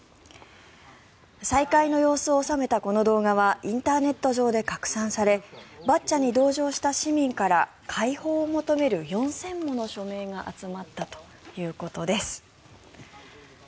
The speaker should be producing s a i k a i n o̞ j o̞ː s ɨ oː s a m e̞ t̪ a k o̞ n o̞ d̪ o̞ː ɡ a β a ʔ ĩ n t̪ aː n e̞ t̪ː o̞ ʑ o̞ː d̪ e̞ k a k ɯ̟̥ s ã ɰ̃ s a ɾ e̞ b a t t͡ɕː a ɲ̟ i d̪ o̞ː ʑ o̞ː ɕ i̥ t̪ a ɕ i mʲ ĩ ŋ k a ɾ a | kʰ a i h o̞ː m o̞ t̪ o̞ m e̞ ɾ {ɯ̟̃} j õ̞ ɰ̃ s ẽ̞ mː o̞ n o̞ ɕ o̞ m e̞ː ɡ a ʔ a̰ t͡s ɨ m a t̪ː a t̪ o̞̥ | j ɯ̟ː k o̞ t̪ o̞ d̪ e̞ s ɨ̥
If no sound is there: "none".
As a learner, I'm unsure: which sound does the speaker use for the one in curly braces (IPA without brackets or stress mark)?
ɯ̟